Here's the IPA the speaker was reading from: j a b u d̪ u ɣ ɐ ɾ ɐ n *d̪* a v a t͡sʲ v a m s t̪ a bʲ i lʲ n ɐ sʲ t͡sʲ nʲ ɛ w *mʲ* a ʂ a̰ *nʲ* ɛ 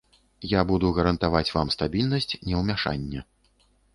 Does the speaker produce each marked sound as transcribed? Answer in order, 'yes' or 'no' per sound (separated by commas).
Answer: no, yes, no